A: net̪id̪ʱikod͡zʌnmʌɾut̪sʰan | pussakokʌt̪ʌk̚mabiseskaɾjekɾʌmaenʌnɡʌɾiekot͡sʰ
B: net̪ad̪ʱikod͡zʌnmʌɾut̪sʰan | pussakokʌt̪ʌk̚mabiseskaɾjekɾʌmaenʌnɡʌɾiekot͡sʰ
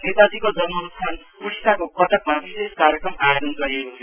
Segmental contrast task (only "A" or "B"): B